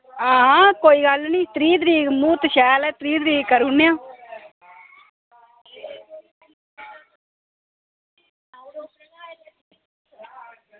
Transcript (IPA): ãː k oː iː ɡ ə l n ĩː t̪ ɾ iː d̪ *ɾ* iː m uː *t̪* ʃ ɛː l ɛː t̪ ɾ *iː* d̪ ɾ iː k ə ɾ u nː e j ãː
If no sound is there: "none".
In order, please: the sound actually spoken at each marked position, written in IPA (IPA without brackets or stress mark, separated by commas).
ɾ, t̪, iː